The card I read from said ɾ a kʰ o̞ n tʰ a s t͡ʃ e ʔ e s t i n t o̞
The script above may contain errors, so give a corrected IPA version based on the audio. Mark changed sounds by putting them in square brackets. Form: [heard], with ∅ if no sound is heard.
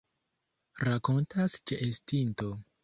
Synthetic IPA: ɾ a [k] o̞ n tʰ a s t͡ʃ e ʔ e s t i n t o̞